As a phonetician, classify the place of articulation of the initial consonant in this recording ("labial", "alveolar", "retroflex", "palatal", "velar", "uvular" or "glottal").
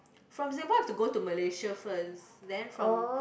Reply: labial